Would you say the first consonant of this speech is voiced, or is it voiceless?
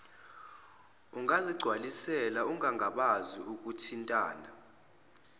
voiced